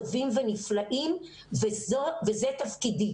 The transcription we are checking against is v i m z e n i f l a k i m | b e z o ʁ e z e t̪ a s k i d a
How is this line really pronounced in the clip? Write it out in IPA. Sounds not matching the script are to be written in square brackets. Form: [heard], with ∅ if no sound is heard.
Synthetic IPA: v i m [v] e n i f l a [ʔ] i m | [v] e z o [v] e z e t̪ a [f] k i d [i]